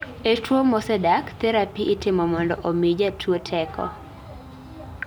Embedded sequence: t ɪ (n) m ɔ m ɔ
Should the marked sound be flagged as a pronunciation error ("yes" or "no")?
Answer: yes